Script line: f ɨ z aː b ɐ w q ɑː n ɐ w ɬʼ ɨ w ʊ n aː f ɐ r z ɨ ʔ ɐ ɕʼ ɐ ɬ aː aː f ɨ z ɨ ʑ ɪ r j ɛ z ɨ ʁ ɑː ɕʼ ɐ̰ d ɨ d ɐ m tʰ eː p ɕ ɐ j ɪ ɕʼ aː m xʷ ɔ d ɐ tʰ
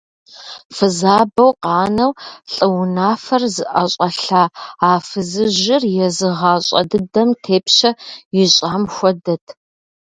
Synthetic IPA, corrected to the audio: f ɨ z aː b ɐ w q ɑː n ɐ w ɬʼ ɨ w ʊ n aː f ɐ r z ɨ ʔ ɐ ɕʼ ɐ ɬ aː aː f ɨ z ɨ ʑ ɪ r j ɛ z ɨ ʁ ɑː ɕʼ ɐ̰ d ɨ d ɐ m tʰ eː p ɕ ɐ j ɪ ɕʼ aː m xʷ ɔ d ɐ tʰ